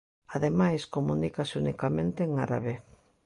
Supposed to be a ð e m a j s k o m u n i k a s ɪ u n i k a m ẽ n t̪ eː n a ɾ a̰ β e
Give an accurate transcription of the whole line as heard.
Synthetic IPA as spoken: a ð e m a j s k o m u n i k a s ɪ u n i k a m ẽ n t̪ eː ŋ a ɾ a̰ β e